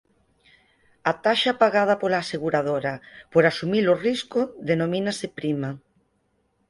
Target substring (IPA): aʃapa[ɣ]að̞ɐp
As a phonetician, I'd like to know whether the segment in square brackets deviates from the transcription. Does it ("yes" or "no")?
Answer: no